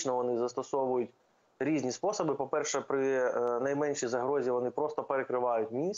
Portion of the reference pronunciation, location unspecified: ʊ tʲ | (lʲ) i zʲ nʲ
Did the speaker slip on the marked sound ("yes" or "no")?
yes